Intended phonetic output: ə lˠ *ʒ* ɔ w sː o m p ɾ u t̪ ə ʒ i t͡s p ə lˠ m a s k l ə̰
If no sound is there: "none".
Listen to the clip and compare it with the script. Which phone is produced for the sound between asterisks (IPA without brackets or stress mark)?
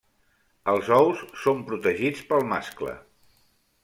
z